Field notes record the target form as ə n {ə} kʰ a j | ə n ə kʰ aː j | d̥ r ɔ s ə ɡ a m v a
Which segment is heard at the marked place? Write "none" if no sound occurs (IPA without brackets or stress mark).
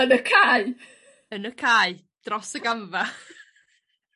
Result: ə